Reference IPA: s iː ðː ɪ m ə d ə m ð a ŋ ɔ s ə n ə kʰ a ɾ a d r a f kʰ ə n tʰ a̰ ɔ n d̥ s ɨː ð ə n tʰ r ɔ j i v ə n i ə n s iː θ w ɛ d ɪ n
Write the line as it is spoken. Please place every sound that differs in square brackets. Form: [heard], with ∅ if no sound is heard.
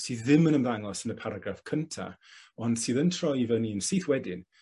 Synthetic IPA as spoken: s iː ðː ɪ m ə [n] ə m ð a ŋ ɔ s ə n ə [pʰ] a ɾ a [ɡ] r a f kʰ ə n tʰ a̰ ɔ n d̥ s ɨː ð ə n tʰ r ɔ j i v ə n i ə n s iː θ w ɛ d ɪ n